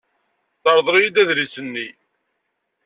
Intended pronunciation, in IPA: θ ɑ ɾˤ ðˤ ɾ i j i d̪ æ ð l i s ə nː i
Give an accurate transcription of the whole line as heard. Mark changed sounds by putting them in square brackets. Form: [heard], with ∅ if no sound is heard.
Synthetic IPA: θ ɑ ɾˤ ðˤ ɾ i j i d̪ æ ð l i s ə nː i